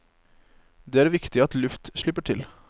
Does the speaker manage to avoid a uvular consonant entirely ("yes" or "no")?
yes